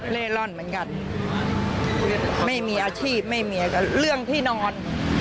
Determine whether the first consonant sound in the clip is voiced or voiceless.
voiced